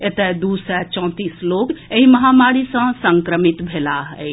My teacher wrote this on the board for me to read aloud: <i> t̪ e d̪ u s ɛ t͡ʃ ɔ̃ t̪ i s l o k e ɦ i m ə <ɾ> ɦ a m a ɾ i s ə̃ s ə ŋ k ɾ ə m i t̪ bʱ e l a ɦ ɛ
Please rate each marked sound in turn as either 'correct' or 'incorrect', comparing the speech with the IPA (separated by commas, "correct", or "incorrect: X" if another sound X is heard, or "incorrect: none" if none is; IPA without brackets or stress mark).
incorrect: e, incorrect: none